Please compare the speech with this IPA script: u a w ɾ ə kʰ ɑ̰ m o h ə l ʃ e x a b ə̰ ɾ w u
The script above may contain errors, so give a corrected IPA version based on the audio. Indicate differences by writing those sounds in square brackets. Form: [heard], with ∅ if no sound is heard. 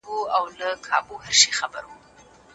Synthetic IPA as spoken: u a w [l] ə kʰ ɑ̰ [b] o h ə [ɾ] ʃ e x a b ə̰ ɾ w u